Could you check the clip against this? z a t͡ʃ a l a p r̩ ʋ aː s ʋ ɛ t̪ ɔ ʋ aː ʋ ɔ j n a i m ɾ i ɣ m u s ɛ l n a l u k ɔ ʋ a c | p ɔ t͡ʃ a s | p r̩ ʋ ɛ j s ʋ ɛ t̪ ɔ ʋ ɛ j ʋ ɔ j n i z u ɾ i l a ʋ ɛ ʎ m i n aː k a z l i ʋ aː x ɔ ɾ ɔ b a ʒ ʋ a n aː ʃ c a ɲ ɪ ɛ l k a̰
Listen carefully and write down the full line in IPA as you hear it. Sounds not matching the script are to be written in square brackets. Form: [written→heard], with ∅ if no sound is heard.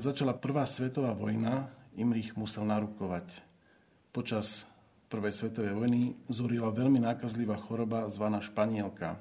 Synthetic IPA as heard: z a t͡ʃ a l a p r̩ ʋ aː s ʋ ɛ t̪ ɔ ʋ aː ʋ ɔ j n a i m ɾ i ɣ m u s ɛ l n a [l→ɾ] u k ɔ ʋ a c | p ɔ t͡ʃ a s | p r̩ ʋ ɛ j s ʋ ɛ t̪ ɔ ʋ ɛ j ʋ ɔ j n i z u ɾ i l a ʋ ɛ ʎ m i n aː k a z l i ʋ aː x ɔ ɾ ɔ b a [ʒ→z] ʋ a n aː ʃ [c→p] a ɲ ɪ ɛ l k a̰